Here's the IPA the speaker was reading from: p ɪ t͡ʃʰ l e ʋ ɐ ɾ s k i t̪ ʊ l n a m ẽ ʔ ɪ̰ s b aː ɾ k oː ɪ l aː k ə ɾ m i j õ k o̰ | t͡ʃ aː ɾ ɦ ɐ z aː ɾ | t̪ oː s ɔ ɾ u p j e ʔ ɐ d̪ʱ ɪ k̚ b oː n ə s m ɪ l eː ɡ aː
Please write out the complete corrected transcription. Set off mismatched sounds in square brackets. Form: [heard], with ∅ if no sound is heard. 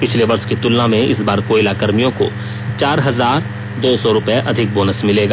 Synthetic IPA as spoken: p ɪ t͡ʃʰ l e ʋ ɐ ɾ s k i t̪ ʊ l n a m ẽ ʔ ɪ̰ s b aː ɾ k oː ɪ l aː k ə ɾ m i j õ k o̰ | t͡ʃ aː ɾ ɦ ɐ z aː ɾ | [d̪] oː s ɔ ɾ [ʊ] p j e ʔ ɐ d̪ʱ ɪ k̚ b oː n ə s m ɪ l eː ɡ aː